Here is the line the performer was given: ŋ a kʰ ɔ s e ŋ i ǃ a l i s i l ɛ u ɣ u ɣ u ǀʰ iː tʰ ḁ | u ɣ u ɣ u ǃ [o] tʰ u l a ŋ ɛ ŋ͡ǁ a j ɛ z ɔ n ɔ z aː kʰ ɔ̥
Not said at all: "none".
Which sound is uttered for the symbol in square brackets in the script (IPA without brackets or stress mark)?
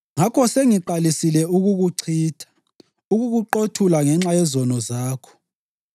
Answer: o